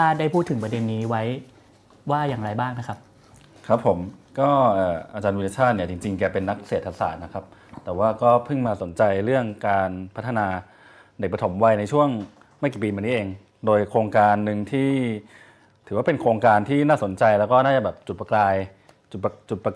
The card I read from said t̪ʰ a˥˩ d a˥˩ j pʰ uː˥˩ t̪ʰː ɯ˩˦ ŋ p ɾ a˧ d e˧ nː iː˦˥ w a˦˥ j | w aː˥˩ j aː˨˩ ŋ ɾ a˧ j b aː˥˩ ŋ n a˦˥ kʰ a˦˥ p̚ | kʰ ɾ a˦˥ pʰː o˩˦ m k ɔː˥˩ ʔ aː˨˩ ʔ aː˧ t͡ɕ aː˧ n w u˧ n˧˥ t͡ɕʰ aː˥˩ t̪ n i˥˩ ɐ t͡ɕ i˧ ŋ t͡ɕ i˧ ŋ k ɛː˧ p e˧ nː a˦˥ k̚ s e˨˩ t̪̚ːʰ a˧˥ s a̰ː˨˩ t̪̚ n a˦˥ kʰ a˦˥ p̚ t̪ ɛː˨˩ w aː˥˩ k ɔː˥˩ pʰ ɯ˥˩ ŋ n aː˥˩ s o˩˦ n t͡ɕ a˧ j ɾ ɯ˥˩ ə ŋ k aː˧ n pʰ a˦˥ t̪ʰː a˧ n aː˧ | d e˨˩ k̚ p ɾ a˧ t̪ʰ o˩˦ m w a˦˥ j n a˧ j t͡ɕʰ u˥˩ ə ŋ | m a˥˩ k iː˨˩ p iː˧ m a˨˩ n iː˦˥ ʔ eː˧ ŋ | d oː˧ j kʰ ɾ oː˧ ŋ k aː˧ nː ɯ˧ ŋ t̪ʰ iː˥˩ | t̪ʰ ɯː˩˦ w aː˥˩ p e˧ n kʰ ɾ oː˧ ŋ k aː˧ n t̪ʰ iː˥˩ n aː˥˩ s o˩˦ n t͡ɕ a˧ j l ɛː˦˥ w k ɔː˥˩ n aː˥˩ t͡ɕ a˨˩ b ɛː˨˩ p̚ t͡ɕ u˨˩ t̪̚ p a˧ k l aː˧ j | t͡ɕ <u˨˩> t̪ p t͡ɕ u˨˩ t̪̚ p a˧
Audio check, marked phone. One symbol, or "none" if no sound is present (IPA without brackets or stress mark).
u˨˩